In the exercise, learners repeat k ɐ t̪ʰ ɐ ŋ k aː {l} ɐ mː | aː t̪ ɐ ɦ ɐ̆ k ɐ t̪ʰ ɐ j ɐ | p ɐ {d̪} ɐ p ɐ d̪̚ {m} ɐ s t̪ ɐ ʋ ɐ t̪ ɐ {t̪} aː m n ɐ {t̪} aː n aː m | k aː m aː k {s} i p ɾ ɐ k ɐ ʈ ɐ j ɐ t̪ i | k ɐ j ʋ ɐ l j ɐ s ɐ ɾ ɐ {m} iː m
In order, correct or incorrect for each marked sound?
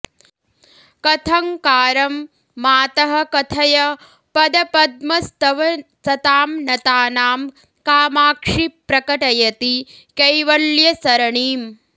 incorrect: ɾ, correct, correct, correct, correct, incorrect: ʂ, incorrect: ɳ

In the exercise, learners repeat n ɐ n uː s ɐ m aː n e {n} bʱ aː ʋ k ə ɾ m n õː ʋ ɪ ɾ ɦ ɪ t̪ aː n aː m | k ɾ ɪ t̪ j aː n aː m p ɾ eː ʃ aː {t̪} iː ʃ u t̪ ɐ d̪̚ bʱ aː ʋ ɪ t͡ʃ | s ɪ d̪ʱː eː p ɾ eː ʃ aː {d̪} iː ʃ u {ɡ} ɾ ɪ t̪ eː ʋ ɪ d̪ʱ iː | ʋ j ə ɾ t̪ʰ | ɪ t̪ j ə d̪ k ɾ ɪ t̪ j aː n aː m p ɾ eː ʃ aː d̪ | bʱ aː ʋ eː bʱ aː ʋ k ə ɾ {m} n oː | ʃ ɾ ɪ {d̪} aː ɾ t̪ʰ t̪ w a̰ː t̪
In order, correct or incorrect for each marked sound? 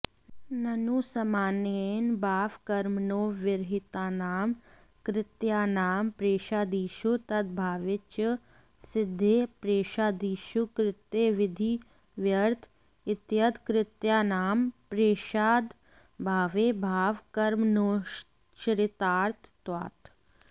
correct, incorrect: d̪, correct, incorrect: k, correct, incorrect: t̪

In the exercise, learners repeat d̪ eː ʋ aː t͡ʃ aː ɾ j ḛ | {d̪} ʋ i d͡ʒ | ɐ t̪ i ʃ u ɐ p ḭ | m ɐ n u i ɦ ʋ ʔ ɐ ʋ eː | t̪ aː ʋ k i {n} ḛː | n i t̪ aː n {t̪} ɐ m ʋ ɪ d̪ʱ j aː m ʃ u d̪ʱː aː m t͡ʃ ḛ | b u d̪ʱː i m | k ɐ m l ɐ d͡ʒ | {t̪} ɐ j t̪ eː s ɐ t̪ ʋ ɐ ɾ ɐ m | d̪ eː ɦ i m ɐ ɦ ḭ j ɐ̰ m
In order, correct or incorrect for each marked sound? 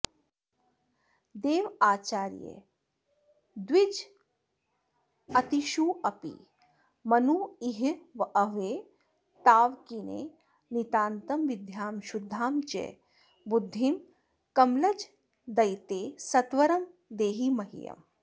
correct, correct, correct, incorrect: d̪

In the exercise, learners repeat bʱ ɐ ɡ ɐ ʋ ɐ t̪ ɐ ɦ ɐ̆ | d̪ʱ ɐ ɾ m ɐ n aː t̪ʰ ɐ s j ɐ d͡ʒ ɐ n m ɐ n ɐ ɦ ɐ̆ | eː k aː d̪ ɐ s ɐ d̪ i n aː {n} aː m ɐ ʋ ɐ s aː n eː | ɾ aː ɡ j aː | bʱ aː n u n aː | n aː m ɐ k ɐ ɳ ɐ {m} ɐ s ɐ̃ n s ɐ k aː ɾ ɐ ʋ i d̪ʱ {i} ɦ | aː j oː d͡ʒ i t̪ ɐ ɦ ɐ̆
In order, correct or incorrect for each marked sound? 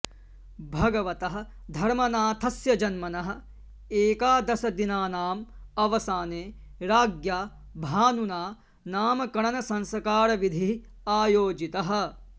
correct, incorrect: n, correct

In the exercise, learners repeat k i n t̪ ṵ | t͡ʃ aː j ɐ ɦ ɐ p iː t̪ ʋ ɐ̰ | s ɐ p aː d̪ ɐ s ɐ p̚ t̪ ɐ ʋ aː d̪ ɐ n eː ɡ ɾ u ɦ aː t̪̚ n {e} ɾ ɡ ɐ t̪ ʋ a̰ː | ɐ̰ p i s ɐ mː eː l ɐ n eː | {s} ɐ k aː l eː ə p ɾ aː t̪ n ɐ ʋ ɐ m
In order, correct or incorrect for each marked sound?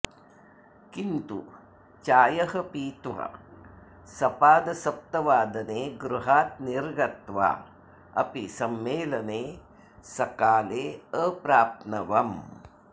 incorrect: i, correct

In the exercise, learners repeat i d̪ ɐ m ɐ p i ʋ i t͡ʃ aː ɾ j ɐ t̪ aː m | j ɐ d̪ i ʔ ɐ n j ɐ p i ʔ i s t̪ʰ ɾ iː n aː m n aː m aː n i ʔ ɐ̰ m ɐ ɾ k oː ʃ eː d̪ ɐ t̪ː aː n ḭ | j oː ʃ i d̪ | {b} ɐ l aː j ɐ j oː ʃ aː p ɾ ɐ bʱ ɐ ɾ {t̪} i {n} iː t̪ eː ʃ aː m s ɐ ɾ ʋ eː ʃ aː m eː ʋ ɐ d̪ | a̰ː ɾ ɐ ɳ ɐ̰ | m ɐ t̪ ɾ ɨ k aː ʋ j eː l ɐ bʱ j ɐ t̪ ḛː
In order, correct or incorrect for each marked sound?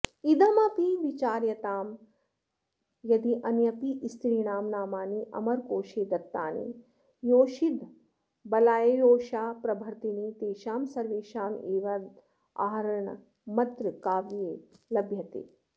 correct, correct, correct

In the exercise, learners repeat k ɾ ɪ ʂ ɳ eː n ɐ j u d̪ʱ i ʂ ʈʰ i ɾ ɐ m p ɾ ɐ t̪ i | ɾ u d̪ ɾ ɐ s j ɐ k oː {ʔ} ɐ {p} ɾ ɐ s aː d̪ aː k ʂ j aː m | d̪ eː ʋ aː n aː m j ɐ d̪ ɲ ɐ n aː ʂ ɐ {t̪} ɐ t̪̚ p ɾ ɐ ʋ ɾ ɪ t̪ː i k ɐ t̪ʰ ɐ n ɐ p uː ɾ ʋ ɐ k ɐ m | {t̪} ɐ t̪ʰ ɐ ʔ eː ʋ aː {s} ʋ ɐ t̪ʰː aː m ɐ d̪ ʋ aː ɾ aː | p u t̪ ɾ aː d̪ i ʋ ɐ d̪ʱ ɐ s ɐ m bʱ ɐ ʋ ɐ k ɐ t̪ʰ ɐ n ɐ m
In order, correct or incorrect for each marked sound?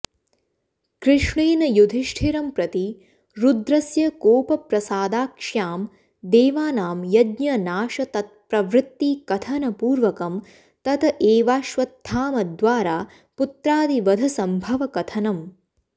incorrect: p, correct, correct, correct, incorrect: ʃ

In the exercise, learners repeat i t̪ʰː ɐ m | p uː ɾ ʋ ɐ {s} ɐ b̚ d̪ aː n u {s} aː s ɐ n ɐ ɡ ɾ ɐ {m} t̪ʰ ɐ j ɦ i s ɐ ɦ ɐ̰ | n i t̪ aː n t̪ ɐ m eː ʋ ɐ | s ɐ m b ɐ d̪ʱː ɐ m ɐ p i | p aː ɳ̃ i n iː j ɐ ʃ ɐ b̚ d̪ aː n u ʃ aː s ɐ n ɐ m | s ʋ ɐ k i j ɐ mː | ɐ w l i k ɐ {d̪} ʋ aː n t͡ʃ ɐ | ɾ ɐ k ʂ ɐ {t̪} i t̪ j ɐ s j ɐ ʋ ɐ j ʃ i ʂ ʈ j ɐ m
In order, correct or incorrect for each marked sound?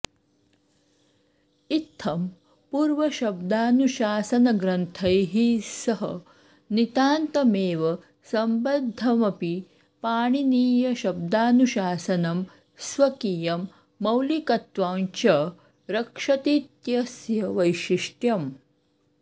incorrect: ʃ, incorrect: ʃ, incorrect: n, incorrect: t̪, correct

